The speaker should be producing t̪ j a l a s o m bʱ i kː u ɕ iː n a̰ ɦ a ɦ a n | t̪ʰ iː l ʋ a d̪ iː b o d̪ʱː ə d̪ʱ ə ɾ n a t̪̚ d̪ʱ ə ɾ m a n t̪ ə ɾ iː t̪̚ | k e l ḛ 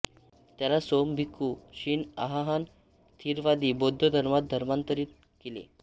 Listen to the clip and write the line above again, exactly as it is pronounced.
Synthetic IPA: t̪ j a l a s o m bʱ i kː u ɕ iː n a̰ ɦ a ɦ a n | t̪ʰ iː ɾ ʋ a d̪ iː b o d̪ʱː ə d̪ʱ ə ɾ m a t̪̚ d̪ʱ ə ɾ m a n t̪ ə ɾ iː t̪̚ | k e l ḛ